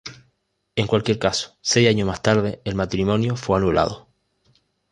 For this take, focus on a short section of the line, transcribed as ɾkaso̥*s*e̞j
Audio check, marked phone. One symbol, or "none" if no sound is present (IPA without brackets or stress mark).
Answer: s